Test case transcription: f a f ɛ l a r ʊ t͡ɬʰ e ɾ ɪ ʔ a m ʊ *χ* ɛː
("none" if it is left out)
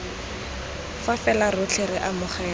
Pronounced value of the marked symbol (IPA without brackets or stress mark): χ